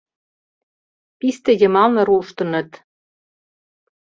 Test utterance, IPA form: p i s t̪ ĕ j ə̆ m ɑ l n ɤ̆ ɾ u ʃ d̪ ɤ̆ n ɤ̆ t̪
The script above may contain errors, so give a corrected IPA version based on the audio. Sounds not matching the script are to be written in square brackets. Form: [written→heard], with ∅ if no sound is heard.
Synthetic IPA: p i s t̪ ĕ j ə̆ m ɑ l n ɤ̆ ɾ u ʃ [d̪→t̪] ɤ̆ n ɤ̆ t̪